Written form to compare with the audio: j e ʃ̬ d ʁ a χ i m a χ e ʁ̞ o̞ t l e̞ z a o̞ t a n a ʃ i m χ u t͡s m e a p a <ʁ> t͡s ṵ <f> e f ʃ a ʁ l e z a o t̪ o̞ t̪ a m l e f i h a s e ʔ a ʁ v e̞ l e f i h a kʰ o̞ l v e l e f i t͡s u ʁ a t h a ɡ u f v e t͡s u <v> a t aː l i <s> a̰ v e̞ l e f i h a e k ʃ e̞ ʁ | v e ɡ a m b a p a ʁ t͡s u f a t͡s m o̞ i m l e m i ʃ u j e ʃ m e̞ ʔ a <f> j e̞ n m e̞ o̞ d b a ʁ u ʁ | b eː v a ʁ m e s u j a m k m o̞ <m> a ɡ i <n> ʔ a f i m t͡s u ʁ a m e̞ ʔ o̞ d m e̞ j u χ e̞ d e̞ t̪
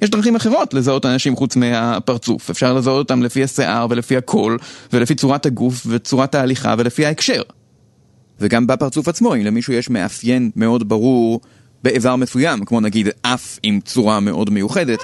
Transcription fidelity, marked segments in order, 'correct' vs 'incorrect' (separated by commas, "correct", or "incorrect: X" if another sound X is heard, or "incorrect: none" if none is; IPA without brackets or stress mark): correct, correct, incorrect: ʁ, incorrect: χ, correct, incorrect: n, incorrect: d